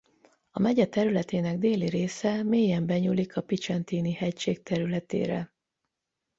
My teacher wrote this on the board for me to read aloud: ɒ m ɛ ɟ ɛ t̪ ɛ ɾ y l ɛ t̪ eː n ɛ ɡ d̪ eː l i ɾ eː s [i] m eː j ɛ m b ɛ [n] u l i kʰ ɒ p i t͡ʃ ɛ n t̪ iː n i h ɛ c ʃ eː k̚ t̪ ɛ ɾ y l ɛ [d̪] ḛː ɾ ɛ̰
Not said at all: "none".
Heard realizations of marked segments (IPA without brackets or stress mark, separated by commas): ɛ, ɲ, t̪